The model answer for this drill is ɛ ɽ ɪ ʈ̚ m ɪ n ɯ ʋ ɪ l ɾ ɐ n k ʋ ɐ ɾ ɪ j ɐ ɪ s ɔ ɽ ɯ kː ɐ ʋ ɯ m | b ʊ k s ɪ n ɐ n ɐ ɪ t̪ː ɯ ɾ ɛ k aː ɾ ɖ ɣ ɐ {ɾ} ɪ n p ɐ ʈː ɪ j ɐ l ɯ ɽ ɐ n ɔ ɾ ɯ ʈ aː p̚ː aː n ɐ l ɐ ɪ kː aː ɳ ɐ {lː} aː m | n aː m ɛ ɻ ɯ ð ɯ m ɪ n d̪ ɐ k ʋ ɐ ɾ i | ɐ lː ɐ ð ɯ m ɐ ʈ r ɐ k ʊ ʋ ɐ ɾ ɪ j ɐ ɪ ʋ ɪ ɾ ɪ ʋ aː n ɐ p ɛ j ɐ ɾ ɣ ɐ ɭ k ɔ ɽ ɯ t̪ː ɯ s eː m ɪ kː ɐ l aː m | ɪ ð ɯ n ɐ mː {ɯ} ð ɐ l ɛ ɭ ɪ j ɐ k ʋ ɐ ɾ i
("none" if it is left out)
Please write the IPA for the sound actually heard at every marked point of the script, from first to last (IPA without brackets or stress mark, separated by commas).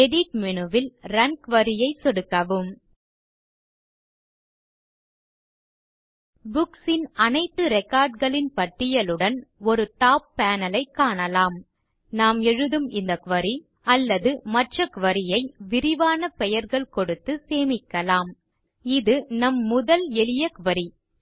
ɭ, l, ʊ